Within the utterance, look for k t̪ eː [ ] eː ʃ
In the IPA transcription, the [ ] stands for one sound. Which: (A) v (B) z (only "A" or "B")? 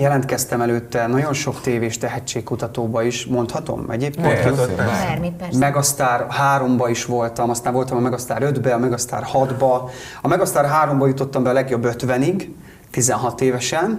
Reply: A